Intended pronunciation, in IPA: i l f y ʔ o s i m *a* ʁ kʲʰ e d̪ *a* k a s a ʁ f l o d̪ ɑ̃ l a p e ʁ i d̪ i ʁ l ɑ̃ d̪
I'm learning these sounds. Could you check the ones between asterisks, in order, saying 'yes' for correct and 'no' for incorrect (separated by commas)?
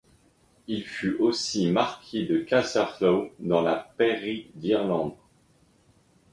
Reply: yes, no